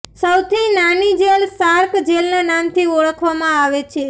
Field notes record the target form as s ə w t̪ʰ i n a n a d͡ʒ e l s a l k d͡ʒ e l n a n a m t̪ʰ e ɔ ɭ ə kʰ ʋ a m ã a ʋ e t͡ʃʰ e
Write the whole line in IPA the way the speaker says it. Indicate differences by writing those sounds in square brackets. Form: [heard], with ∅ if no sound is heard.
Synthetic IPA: s ə w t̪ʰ i n a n [i] d͡ʒ e l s a [ɾ] k d͡ʒ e l n a n a m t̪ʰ [i] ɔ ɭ ə kʰ ʋ a m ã a ʋ e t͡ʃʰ e

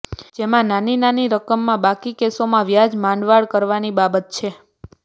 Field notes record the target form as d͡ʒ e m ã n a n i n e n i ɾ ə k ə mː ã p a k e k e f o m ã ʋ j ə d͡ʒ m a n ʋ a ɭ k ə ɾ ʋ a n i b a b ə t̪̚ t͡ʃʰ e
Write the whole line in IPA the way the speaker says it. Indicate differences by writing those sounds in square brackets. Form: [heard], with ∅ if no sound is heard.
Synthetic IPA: d͡ʒ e m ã n a n i n [a] n i ɾ ə k ə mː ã [b] a k [i] k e [s] o m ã ʋ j [a] d͡ʒ m a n ʋ a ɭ k ə ɾ ʋ a n i b a b ə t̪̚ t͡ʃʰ e

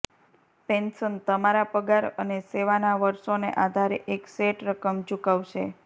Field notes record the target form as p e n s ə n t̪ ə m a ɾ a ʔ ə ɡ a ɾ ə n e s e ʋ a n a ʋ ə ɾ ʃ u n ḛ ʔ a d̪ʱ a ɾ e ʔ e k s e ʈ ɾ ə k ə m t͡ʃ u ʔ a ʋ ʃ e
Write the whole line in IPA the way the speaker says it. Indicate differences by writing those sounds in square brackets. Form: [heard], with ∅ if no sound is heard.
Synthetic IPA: p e n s ə n t̪ ə m a ɾ a [p] ə ɡ a ɾ ə n e s e ʋ a n a ʋ ə ɾ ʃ [o] n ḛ ʔ a d̪ʱ a ɾ e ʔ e k s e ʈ ɾ ə k ə m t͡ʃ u [k] a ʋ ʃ e

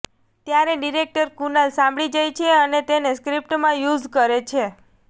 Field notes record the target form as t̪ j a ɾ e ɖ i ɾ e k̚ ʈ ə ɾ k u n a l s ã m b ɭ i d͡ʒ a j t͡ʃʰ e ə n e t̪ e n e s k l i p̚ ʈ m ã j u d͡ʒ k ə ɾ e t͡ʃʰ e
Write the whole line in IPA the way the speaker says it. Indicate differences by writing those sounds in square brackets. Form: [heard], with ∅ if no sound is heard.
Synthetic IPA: t̪ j a ɾ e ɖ i ɾ e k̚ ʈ ə ɾ k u n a l s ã m b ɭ i d͡ʒ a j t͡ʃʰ e ə n e t̪ e n e s k [ɾ] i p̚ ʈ m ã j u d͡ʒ k ə ɾ e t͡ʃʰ e

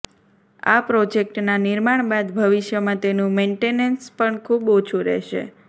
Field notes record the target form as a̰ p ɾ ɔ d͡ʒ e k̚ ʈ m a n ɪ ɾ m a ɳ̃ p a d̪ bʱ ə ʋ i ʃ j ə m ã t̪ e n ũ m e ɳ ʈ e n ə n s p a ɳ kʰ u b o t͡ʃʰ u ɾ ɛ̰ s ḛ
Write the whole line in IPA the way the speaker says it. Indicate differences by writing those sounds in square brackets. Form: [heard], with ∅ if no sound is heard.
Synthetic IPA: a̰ p ɾ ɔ d͡ʒ e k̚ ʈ [n] a n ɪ ɾ m a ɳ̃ [b] a d̪ bʱ ə ʋ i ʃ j ə m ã t̪ e n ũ m e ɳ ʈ e n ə n s p [ə] ɳ kʰ u b o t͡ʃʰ u ɾ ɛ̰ [ʃ] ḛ

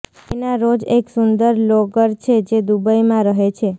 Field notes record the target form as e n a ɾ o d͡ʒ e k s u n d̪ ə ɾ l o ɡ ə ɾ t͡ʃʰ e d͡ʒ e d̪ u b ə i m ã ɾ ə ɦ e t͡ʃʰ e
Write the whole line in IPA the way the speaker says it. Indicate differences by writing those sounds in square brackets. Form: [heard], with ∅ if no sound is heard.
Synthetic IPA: e n a ɾ o d͡ʒ e k s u n d̪ ə ɾ l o ɡ ə ɾ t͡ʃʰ e d͡ʒ e d̪ u b ə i m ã ɾ ə ɦ e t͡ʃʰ e

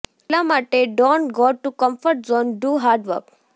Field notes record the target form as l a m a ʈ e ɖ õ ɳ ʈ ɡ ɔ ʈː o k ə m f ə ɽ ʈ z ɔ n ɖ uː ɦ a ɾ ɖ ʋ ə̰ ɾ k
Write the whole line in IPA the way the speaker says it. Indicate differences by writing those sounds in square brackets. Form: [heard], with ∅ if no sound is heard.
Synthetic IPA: l a m a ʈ e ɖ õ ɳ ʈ ɡ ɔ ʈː [u] k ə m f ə [ɾ] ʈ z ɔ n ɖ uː ɦ a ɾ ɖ ʋ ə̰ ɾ k

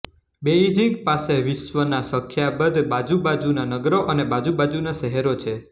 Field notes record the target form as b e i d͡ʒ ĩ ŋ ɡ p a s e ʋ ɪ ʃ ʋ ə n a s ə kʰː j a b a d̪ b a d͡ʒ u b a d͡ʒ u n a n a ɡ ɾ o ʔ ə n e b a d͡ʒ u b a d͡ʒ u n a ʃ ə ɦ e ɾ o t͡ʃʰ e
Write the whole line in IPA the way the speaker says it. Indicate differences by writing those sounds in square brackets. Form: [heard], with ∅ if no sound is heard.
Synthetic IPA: b e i d͡ʒ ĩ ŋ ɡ p a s e ʋ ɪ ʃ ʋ ə n a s ə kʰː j a b [ə] d̪ b a d͡ʒ u b a d͡ʒ u n a n [ə] ɡ ɾ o ʔ ə n e b a d͡ʒ u b a d͡ʒ u n a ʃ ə ɦ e ɾ o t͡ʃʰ e

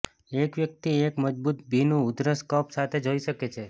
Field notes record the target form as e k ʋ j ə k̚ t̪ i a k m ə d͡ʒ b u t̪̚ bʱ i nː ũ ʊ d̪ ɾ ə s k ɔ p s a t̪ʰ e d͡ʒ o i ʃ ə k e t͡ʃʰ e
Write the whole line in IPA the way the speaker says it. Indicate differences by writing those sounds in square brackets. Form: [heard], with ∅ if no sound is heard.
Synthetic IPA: e k ʋ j ə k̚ t̪ i [e] k m ə d͡ʒ b u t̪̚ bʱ i [n] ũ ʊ d̪ ɾ ə s k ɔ p s a t̪ʰ e d͡ʒ o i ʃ ə k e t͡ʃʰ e

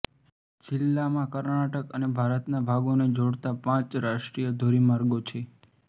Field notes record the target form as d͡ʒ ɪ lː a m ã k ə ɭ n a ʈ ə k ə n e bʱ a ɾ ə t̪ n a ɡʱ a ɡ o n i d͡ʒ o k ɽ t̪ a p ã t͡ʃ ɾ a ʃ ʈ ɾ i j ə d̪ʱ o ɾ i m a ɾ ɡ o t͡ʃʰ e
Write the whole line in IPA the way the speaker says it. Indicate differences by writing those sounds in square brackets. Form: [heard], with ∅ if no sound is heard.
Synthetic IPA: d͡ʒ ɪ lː a m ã k ə [ɾ] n a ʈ ə k ə n e bʱ a ɾ ə t̪ n a [bʱ] a ɡ o n [e] d͡ʒ o [∅] ɽ t̪ a p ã t͡ʃ ɾ a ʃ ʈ ɾ i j ə d̪ʱ o ɾ i m a ɾ ɡ o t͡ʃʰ e

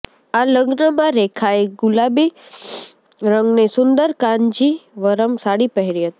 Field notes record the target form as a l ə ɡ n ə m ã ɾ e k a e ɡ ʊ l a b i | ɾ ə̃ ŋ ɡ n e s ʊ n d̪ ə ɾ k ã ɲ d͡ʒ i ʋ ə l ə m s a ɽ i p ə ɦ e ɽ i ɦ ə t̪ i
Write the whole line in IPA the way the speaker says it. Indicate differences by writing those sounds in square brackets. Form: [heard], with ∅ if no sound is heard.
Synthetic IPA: a l ə ɡ n ə m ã ɾ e [kʰ] a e ɡ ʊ l a b i | ɾ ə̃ ŋ ɡ n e s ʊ n d̪ ə ɾ k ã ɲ d͡ʒ i ʋ ə [ɾ] ə m s a ɽ i p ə ɦ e [ɾ] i ɦ ə t̪ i

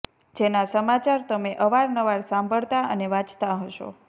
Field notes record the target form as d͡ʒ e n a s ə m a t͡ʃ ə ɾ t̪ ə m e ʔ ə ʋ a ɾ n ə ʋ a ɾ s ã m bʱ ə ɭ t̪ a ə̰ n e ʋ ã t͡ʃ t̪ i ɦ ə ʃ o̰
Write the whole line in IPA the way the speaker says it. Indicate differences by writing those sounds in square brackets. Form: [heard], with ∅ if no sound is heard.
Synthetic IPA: d͡ʒ e n a s ə m a t͡ʃ [a] ɾ t̪ ə m e ʔ ə ʋ a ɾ n ə ʋ a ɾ s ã m bʱ ə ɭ t̪ a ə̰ n e ʋ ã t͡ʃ t̪ [a] ɦ ə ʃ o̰

